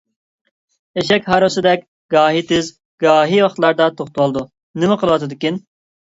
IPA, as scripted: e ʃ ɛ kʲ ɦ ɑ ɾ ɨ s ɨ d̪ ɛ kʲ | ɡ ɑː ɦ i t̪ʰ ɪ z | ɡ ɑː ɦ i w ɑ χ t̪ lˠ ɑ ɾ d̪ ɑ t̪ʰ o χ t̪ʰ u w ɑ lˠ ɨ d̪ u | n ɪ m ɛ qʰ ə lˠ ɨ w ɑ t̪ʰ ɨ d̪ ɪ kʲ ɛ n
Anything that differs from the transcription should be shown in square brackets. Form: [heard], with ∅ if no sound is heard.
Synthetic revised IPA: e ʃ ɛ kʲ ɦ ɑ ɾ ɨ s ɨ d̪ ɛ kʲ | ɡ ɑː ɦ i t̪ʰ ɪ z | ɡ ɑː ɦ i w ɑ χ t̪ lˠ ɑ ɾ d̪ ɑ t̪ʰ o χ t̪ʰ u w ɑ lˠ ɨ d̪ u | n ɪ m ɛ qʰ ə lˠ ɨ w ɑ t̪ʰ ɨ d̪ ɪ kʲ [i] n